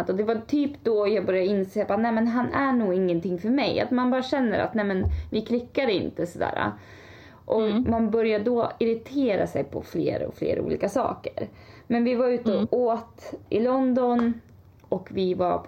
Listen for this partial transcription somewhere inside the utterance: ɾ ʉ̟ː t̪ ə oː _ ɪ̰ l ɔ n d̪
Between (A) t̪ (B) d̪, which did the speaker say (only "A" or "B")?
A